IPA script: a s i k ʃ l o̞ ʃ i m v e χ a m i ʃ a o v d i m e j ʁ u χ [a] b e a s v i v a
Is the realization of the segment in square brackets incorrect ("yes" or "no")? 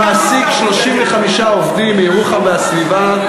no